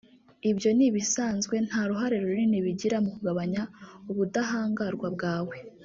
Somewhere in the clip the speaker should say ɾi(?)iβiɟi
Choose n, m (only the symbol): n